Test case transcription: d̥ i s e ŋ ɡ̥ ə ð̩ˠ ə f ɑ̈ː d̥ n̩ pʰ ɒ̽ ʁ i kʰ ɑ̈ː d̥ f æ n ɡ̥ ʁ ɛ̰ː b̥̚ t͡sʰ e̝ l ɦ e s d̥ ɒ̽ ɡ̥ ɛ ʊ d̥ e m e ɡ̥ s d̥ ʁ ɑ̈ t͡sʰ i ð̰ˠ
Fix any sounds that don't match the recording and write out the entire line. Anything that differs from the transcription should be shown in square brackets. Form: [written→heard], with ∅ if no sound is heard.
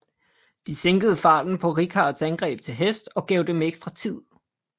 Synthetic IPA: d̥ i s e ŋ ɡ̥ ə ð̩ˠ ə f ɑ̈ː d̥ n̩ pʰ ɒ̽ ʁ i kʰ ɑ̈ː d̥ [f→s] æ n ɡ̥ ʁ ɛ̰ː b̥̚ t͡sʰ e̝ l ɦ e s d̥ ɒ̽ ɡ̥ ɛ ʊ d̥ e m e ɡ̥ s d̥ ʁ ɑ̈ t͡sʰ i ð̰ˠ